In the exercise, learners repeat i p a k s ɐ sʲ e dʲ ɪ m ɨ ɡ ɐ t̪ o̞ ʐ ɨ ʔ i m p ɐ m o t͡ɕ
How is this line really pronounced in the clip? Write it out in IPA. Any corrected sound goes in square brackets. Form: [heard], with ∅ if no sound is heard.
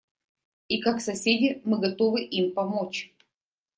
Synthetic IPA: i [k] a k s ɐ sʲ e dʲ ɪ m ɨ ɡ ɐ t̪ o̞ [v] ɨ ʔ i m p ɐ m o t͡ɕ

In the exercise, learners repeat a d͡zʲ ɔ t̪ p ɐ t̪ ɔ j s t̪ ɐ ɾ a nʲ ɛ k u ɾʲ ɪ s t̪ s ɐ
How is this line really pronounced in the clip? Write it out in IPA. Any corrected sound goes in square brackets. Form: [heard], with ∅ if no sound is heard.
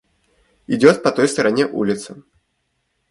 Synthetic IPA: [i] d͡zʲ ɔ t̪ p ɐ t̪ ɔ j s t̪ ɐ ɾ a nʲ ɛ [ʔ] u [lʲ] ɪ [∅] t̪ s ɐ

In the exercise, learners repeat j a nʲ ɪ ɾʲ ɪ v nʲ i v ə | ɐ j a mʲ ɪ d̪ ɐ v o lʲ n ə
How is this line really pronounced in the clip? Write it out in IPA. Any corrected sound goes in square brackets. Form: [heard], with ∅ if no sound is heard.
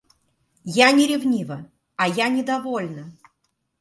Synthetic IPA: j a nʲ ɪ ɾʲ ɪ v nʲ i v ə | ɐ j a [nʲ] ɪ d̪ ɐ v o lʲ n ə

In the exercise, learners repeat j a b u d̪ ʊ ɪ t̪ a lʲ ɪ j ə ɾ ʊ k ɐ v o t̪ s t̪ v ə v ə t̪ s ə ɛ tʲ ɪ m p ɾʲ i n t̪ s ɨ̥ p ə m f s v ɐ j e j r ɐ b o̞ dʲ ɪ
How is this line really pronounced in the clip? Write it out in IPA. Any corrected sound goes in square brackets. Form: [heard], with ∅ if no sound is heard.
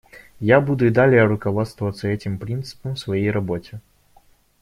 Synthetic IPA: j a b u d̪ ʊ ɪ [d̪] a lʲ ɪ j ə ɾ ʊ k ɐ v o t̪ s t̪ v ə v ə t̪ s ə ɛ tʲ ɪ m p ɾʲ i n t̪ s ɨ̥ p ə m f s v ɐ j e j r ɐ b o̞ [tʲ] ɪ

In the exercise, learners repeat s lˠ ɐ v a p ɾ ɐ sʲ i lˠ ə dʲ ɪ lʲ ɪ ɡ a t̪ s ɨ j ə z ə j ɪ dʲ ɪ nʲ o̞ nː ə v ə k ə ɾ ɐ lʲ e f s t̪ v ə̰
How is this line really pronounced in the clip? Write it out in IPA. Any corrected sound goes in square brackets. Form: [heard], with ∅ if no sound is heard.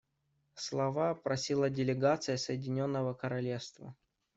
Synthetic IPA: s lˠ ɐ v a p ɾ ɐ sʲ i lˠ ə dʲ ɪ lʲ ɪ ɡ a t̪ s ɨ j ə [s] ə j ɪ dʲ ɪ nʲ o̞ nː ə v ə k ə ɾ ɐ lʲ e f s t̪ v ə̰

